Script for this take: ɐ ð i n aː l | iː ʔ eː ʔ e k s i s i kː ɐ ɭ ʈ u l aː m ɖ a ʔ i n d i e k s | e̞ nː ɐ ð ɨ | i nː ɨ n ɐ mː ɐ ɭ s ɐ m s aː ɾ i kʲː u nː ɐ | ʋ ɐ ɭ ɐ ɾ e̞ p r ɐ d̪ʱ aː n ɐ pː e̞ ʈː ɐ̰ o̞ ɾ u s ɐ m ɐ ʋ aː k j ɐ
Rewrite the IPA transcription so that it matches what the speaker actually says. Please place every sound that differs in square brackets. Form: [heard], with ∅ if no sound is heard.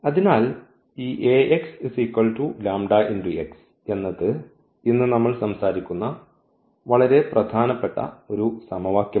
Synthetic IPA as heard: ɐ ð i n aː l | iː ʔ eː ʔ e k s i s i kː ɐ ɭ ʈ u l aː m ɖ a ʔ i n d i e k s | e̞ nː ɐ ð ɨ | i nː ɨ n ɐ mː ɐ ɭ s ɐ m s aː ɾ i kʲː u nː ɐ | ʋ ɐ ɭ ɐ ɾ e̞ p r ɐ d̪ʱ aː n ɐ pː e̞ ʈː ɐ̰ o̞ ɾ u s ɐ m ɐ ʋ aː k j ɐ